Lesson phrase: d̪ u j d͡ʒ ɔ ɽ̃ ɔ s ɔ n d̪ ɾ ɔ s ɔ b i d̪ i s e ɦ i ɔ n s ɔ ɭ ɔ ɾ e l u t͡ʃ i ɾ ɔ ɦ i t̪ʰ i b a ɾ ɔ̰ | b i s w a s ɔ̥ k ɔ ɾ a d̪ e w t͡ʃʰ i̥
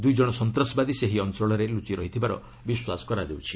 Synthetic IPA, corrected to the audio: d̪ u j d͡ʒ ɔ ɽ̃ ɔ s ɔ n t̪ ɾ ɔ s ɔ b a d̪ i s e ɦ i ɔ n s ɔ ɭ ɔ ɾ e l u t͡ʃ i ɾ ɔ ɦ i t̪ʰ i b a ɾ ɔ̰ | b i s w a s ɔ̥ k ɔ ɾ a d̪ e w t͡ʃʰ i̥